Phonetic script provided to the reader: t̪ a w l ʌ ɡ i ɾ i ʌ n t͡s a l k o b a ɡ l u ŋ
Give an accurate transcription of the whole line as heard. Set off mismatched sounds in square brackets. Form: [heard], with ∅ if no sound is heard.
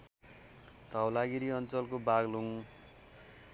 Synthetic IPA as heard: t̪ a w l [a] ɡ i ɾ i ʌ n t͡s [ʌ] l k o b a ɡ l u ŋ